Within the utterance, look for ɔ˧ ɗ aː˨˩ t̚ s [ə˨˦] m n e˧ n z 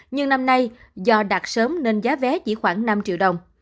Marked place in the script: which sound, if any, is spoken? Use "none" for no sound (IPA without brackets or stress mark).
əː˨˦